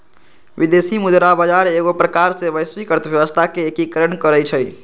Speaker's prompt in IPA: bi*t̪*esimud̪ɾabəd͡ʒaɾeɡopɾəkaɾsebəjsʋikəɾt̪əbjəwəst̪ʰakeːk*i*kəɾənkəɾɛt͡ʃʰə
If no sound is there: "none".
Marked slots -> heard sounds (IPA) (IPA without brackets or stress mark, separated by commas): d̪, i